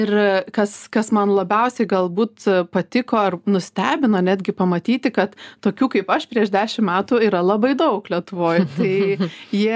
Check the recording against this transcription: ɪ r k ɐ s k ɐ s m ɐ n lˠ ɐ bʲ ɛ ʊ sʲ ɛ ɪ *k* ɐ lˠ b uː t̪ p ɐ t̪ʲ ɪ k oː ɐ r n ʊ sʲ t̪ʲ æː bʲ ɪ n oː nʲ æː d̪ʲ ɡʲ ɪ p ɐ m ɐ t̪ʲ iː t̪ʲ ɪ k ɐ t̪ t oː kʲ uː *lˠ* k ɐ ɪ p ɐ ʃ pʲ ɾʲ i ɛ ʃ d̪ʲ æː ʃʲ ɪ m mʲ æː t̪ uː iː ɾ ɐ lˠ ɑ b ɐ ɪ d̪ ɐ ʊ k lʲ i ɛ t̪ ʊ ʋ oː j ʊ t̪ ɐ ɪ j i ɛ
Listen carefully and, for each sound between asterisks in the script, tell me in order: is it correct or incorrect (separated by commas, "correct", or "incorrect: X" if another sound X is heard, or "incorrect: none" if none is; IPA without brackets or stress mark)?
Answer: incorrect: ɡ, incorrect: none